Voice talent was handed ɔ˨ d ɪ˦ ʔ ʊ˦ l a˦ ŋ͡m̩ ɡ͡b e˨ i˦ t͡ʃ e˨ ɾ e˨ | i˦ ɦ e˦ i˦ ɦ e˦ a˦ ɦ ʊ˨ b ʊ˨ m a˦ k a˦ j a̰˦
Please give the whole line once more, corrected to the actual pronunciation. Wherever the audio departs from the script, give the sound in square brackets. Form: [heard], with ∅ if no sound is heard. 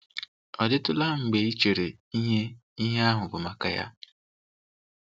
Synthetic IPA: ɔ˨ d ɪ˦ [t] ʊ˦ l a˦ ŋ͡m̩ ɡ͡b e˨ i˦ t͡ʃ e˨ ɾ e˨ | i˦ ɦ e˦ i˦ ɦ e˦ a˦ ɦ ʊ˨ b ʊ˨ m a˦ k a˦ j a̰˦

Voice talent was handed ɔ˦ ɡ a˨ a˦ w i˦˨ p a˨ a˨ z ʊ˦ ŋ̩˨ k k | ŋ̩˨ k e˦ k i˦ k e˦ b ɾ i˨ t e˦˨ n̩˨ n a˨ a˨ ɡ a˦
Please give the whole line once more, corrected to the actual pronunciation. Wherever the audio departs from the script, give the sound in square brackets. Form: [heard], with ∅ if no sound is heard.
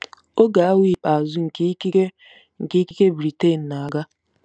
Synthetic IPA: [o˦] ɡ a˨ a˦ w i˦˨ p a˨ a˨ z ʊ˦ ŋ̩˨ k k | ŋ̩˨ k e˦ k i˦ k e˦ b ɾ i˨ t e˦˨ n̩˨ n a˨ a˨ ɡ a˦

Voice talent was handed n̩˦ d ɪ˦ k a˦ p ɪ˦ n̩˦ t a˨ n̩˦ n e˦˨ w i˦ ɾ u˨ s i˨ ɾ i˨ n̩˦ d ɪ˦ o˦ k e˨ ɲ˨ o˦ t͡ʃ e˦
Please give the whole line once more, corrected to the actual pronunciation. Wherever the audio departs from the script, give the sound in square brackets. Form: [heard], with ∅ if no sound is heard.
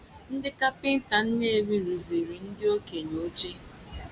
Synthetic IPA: n̩˦ d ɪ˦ k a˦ p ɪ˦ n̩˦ t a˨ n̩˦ n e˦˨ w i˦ ɾ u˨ [z] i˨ ɾ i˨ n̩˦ d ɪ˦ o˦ k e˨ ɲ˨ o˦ t͡ʃ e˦

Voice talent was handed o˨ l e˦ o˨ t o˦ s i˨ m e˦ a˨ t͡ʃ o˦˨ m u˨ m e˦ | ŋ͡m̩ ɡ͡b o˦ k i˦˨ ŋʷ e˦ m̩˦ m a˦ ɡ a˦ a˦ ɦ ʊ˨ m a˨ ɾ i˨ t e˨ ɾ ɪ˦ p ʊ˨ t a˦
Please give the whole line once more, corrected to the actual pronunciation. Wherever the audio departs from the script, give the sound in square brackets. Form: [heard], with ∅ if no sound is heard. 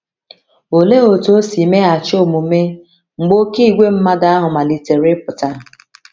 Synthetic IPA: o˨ l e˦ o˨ t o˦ s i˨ m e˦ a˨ t͡ʃ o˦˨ m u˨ m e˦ | ŋ͡m̩ ɡ͡b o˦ k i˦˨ [ɡʷ] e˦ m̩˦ m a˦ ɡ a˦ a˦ ɦ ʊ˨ m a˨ [l] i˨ t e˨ ɾ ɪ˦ p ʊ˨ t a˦

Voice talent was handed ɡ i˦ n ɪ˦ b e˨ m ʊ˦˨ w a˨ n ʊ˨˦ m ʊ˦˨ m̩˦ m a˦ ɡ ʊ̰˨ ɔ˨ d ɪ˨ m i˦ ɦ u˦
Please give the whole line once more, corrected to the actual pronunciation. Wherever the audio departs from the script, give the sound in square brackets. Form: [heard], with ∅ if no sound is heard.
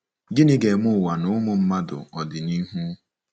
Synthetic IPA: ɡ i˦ n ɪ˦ [ɡ] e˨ m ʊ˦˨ w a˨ n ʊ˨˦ m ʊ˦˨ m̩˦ m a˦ [d] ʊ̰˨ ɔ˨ d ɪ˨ [n] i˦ ɦ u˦

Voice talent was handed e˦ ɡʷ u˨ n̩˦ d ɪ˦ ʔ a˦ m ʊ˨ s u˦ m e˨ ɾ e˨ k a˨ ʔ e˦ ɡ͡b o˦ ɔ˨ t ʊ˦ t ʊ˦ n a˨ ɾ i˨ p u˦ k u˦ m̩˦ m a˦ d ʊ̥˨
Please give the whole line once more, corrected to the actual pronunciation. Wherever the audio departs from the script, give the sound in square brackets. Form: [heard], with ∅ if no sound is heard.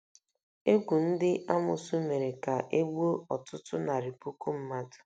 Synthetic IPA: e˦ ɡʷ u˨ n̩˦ d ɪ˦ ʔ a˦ m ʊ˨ s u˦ m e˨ ɾ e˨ k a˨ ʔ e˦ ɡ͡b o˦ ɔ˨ t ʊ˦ t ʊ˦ n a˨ ɾ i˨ p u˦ k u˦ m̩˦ m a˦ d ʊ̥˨

